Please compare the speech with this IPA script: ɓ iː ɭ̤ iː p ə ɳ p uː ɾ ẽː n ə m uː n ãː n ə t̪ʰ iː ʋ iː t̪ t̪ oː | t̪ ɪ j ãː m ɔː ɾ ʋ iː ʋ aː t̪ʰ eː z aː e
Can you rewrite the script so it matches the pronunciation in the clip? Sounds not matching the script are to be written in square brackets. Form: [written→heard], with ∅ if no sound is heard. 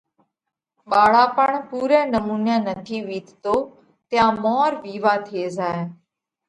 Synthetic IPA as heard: ɓ [iː→aː] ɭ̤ [iː→aː] p ə ɳ p uː ɾ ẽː n ə m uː n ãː n ə t̪ʰ iː ʋ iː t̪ t̪ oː | t̪ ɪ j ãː m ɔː ɾ ʋ iː ʋ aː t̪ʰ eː z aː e